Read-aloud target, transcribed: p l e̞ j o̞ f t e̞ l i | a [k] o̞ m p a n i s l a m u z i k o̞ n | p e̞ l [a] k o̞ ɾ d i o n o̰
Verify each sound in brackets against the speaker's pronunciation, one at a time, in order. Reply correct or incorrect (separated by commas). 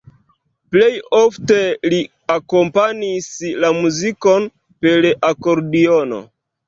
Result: correct, correct